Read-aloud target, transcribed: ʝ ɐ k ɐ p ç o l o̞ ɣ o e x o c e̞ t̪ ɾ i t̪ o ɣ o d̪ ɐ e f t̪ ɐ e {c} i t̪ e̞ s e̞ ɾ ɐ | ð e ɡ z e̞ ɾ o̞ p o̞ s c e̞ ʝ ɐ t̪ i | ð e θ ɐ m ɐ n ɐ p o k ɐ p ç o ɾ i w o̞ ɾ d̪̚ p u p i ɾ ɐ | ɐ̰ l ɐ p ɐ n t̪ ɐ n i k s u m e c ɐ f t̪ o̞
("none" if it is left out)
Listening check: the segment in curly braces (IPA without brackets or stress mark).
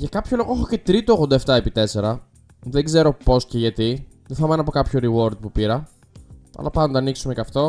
p